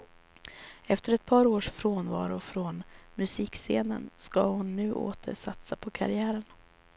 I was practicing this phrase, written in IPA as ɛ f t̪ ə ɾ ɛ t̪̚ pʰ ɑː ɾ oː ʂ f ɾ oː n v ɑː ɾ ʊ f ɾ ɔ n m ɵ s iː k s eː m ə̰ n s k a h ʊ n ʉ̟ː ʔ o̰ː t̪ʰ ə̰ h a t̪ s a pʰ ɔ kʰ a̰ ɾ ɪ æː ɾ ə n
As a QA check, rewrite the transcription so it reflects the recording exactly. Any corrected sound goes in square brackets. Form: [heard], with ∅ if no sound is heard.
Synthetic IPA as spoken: ɛ f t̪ ə ɾ ɛ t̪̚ pʰ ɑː ɾ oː ʂ f ɾ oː n v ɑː ɾ ʊ f ɾ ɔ n m ɵ s iː k s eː [n] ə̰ n s k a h ʊ [nː] ʉ̟ː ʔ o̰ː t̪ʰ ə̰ [ʂ] a t̪ s a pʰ ɔ kʰ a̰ ɾ ɪ æː ɾ ə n